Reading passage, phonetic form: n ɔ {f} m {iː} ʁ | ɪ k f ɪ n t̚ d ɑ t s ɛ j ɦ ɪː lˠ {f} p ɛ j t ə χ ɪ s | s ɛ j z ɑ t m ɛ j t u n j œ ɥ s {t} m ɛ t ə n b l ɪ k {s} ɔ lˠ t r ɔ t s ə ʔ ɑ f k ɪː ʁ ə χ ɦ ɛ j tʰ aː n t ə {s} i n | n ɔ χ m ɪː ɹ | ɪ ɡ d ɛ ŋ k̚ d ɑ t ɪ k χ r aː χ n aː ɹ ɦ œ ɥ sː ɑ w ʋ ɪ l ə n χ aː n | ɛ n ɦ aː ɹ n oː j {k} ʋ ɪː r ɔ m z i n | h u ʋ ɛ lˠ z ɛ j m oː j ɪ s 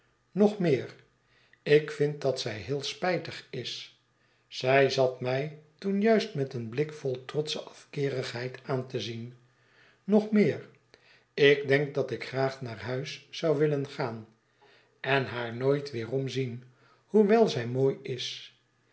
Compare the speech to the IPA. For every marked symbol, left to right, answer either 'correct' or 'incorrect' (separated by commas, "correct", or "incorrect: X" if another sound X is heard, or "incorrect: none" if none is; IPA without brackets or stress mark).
incorrect: χ, incorrect: ɪː, incorrect: s, correct, incorrect: f, incorrect: z, incorrect: t